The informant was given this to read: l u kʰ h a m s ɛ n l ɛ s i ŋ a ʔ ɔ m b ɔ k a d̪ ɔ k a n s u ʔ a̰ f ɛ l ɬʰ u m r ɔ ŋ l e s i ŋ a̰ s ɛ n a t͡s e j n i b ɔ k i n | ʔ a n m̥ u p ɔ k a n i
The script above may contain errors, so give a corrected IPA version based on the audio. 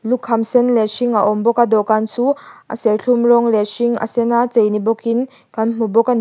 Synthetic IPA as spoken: l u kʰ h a m s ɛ n l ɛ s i ŋ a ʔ ɔ m b ɔ k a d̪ ɔ k a n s u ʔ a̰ s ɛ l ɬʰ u m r ɔ ŋ l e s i ŋ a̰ s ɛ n a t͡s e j n i b ɔ k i n | k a n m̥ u b ɔ k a n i